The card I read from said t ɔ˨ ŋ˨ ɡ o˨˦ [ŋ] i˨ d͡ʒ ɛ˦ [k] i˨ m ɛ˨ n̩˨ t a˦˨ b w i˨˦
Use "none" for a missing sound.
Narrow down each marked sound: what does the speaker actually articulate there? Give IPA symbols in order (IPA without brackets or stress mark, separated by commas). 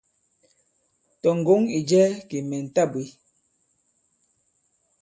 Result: ŋ, k